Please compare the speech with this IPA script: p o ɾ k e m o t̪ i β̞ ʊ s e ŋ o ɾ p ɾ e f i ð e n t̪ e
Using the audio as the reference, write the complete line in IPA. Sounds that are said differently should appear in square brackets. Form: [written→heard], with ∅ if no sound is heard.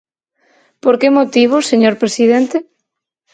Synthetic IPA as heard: p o ɾ k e m o t̪ i β̞ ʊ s e [ŋ→ɲ] o ɾ p ɾ e [f→s] i ð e n t̪ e